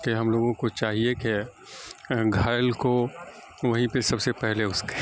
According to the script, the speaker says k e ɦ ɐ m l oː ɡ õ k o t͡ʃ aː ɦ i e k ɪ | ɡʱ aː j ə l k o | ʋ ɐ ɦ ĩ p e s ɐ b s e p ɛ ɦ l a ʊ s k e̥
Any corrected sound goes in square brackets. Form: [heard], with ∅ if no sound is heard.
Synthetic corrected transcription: k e ɦ ɐ m l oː ɡ õ k o t͡ʃ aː ɦ i e k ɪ | ɡʱ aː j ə l k o | ʋ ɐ ɦ ĩ p e s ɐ b s e p ɛ ɦ l [e] ʊ s k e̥

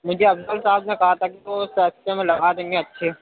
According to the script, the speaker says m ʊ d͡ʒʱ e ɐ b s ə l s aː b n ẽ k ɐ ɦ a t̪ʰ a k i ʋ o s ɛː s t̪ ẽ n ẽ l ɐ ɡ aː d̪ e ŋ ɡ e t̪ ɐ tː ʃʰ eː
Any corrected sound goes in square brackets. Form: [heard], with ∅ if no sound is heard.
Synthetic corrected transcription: m ʊ d͡ʒʱ e ɐ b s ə l s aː b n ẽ k ɐ ɦ a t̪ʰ a k i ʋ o s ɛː s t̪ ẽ [m] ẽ l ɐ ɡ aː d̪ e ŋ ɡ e [∅] ɐ tː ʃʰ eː

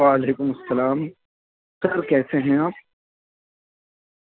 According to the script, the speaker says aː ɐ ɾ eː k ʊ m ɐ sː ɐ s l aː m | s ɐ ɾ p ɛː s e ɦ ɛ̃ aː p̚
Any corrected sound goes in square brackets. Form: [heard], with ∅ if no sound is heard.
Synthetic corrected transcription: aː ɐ [l] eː k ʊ m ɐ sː ɐ [∅] l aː m | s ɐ ɾ [k] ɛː s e ɦ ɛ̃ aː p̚

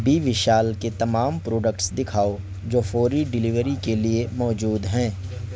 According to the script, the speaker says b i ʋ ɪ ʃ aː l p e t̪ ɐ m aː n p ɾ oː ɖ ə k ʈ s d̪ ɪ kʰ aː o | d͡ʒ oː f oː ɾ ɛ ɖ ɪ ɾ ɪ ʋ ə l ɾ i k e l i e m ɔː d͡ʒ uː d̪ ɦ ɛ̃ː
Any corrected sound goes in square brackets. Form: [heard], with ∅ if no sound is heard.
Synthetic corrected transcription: b i ʋ ɪ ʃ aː l [k] e t̪ ɐ m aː [m] p ɾ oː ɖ ə k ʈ s d̪ ɪ kʰ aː o | d͡ʒ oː f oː ɾ [i] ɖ ɪ [l] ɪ ʋ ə [∅] ɾ i k e l i e m ɔː d͡ʒ uː d̪ ɦ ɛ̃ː

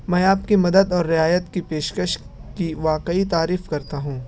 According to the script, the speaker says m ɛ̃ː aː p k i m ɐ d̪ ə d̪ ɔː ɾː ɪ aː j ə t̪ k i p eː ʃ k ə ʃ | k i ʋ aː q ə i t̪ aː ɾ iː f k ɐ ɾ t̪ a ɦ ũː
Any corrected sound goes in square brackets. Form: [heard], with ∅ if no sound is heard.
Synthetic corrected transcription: m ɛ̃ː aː p k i m ɐ d̪ ə d̪ ɔː ɾː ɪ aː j ə t̪ k i p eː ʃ k ə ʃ | k i ʋ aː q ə i t̪ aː ɾ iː f k ɐ ɾ t̪ a ɦ ũː

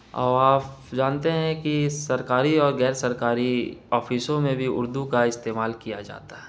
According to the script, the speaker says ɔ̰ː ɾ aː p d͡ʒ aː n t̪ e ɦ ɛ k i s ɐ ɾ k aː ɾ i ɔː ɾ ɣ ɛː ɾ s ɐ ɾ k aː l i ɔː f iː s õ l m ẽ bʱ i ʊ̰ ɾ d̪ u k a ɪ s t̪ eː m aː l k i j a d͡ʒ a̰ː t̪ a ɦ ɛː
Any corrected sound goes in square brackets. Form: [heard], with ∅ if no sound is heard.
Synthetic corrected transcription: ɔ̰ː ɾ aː p d͡ʒ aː n t̪ e ɦ [ɛ̃] k i s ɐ ɾ k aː ɾ i ɔː ɾ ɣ ɛː ɾ s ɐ ɾ k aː [ɾ] i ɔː f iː s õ [∅] m ẽ bʱ i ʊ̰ ɾ d̪ u k a ɪ s t̪ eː m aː l k i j a d͡ʒ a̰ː t̪ a ɦ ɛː

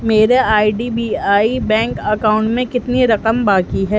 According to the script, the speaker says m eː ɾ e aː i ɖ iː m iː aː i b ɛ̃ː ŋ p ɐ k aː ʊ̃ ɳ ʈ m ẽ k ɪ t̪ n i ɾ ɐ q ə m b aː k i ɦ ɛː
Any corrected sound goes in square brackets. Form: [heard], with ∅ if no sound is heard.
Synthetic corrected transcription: m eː ɾ e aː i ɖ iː [b] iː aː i b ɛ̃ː ŋ [k] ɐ k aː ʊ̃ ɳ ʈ m ẽ k ɪ t̪ n i ɾ ɐ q ə m b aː k i ɦ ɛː

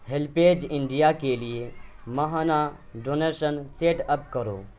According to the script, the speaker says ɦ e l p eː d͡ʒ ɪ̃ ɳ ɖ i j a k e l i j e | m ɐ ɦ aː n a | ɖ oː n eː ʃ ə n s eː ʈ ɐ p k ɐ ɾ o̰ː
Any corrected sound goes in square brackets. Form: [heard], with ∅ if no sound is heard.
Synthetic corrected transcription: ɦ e l p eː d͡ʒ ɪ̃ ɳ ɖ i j a k e l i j e | m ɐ ɦ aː n a | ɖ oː n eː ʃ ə n s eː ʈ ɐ p k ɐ ɾ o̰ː

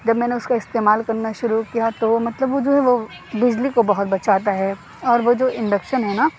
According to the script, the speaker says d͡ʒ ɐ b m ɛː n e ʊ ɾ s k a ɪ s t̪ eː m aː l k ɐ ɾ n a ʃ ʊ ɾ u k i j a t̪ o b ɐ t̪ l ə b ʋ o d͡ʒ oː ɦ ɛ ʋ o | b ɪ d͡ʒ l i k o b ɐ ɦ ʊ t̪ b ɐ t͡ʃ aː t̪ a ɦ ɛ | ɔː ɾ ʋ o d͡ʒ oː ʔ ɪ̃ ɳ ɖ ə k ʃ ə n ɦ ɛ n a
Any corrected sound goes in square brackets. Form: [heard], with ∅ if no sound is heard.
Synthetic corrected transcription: d͡ʒ ɐ b m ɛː n e ʊ [∅] s k a ɪ s t̪ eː m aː l k ɐ ɾ n a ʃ ʊ ɾ u k i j a t̪ o [m] ɐ t̪ l ə b ʋ o d͡ʒ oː ɦ ɛ ʋ o | b ɪ d͡ʒ l i k o b ɐ ɦ ʊ t̪ b ɐ t͡ʃ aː t̪ a ɦ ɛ | ɔː ɾ ʋ o d͡ʒ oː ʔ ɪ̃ ɳ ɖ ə k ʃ ə n ɦ ɛ n a

